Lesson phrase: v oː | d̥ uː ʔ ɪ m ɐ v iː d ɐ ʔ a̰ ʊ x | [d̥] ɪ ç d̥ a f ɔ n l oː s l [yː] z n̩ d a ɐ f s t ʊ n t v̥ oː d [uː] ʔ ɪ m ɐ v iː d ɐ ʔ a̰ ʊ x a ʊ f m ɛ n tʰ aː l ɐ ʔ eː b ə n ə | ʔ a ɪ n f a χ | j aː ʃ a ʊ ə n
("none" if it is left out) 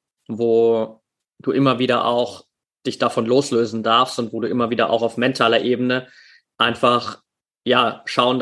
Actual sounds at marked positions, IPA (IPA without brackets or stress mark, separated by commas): d̥, øː, uː